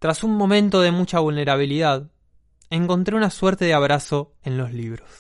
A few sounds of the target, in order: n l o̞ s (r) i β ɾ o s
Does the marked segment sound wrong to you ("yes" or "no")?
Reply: yes